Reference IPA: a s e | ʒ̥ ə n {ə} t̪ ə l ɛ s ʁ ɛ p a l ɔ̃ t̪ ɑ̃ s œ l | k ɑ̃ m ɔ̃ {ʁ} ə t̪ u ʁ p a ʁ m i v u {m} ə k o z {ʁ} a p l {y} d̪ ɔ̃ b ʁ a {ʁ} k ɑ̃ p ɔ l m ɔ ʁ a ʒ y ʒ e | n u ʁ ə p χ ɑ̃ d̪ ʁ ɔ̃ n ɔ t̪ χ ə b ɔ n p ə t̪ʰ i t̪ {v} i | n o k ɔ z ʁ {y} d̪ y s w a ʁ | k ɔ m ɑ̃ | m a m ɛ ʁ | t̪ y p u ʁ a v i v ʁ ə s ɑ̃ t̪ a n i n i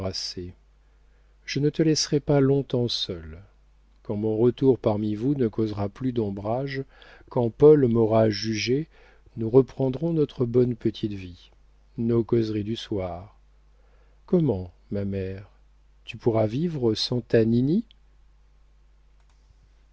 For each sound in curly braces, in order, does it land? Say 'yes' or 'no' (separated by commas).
yes, yes, no, yes, yes, no, yes, no